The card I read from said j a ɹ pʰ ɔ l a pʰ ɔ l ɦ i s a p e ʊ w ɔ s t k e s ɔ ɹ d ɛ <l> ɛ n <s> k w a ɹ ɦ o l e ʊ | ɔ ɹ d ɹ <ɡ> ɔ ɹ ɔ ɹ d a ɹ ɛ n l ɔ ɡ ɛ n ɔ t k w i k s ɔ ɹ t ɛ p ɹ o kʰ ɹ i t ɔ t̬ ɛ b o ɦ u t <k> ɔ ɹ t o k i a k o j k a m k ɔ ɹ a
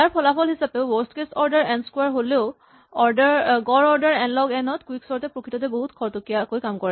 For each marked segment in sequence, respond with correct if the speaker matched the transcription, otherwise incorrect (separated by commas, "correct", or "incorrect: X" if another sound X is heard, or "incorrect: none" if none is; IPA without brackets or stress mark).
incorrect: ɹ, correct, correct, incorrect: kʰ